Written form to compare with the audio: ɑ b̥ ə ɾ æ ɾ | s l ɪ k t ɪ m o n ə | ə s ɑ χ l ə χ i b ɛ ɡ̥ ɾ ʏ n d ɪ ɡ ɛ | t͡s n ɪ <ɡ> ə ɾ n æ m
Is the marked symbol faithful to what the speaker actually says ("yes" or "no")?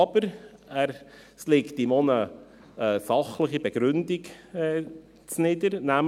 no